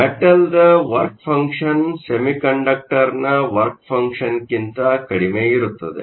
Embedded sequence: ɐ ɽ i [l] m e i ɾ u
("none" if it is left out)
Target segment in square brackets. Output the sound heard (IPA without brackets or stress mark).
none